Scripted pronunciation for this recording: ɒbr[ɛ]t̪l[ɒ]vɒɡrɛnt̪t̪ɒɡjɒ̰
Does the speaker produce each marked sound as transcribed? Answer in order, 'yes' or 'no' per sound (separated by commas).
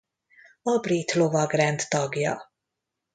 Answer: no, no